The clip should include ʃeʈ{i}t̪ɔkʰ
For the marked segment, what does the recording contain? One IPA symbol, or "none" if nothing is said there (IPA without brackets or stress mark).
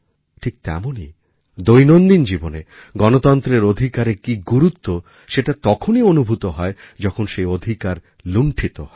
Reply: a